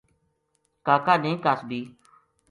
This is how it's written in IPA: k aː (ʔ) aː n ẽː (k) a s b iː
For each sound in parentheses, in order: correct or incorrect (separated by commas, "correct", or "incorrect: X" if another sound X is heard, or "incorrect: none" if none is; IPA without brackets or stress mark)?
incorrect: k, correct